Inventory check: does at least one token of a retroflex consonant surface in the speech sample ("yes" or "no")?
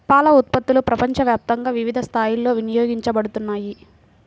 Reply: yes